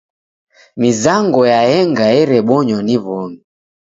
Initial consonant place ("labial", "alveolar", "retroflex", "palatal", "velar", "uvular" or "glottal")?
labial